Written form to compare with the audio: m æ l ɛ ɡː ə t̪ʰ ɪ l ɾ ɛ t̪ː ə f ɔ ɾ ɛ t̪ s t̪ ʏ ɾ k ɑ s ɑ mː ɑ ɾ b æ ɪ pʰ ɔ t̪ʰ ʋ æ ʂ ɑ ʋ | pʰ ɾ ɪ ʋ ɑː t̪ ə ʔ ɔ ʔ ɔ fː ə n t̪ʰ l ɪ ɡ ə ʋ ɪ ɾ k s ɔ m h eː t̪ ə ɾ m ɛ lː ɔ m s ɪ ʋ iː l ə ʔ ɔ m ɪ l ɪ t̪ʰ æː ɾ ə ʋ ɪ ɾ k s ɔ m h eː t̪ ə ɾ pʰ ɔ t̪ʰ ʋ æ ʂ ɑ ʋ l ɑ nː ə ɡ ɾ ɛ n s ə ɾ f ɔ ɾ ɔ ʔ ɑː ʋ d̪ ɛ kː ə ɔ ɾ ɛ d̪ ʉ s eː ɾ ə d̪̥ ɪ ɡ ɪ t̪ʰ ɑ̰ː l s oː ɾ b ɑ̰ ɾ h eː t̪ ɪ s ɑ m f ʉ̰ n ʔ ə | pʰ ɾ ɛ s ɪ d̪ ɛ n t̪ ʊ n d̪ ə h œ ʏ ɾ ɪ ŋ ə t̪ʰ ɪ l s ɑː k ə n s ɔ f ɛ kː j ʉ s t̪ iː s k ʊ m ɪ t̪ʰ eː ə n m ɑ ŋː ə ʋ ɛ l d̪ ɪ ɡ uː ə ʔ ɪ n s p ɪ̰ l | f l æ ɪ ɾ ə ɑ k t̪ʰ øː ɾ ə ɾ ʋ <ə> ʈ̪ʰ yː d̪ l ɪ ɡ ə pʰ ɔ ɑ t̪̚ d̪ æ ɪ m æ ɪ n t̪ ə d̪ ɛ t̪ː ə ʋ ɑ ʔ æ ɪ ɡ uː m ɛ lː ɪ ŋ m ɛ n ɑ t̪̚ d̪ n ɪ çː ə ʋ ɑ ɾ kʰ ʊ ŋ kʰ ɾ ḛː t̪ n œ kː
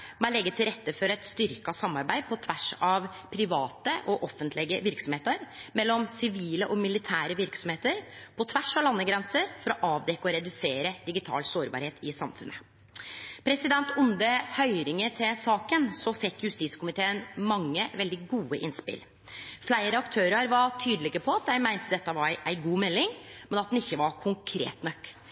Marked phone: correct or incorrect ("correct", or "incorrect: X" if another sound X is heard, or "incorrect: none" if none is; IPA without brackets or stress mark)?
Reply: incorrect: ɑ